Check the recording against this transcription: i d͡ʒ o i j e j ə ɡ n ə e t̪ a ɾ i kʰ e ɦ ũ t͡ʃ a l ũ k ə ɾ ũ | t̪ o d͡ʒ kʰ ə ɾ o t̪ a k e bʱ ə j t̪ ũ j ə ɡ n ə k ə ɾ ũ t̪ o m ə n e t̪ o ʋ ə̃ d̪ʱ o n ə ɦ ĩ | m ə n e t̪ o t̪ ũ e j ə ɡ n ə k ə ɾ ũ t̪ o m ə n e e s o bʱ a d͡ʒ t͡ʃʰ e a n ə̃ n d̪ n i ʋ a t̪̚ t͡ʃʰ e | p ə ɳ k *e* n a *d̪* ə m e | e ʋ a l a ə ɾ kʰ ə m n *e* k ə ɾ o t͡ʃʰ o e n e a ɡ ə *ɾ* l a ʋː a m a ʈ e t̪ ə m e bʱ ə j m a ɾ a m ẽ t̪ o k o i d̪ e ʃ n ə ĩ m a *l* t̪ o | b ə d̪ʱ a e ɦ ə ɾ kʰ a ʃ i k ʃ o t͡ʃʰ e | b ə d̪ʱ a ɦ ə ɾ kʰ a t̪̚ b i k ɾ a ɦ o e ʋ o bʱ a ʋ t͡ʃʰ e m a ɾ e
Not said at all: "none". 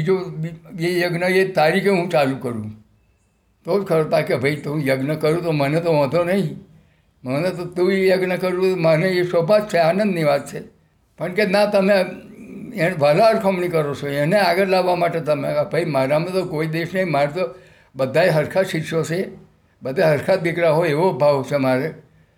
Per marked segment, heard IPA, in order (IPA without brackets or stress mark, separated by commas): e, t̪, i, ɾ, ɾ